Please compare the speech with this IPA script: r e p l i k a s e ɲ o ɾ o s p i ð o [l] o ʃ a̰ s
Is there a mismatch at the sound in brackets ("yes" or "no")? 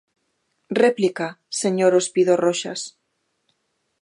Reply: yes